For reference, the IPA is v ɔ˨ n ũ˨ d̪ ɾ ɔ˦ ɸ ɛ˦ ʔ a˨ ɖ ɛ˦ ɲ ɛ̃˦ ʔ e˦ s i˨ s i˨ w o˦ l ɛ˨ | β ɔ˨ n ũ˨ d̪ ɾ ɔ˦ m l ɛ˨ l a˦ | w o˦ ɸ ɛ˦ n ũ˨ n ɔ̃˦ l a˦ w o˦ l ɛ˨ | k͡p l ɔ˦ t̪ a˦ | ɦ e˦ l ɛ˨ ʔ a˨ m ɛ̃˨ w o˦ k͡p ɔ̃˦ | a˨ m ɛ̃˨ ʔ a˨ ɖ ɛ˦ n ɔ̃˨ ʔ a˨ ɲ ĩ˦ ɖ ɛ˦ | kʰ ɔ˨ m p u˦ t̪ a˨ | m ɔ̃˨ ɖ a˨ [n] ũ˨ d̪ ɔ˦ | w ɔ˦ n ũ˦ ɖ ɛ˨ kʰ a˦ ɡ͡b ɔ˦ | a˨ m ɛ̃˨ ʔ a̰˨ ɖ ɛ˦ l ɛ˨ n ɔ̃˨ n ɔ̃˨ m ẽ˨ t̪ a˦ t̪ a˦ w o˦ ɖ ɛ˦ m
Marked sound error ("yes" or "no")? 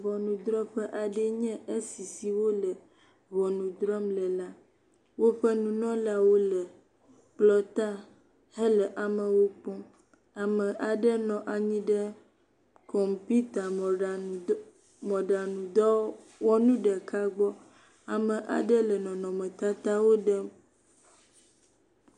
no